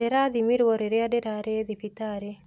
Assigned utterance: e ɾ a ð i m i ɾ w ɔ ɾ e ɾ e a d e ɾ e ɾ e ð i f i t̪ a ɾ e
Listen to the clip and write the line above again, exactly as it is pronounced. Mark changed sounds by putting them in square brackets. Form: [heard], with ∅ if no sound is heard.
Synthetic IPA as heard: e ɾ a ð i m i ɾ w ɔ ɾ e ɾ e a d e ɾ [a] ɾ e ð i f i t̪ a ɾ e